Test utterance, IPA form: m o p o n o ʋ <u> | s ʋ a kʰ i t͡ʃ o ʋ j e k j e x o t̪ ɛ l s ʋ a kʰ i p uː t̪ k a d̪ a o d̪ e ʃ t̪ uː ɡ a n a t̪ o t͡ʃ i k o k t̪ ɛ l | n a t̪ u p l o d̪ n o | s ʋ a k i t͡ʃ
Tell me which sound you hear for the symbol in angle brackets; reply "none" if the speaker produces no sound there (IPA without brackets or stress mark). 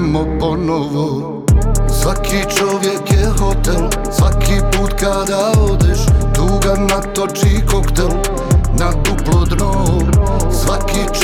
o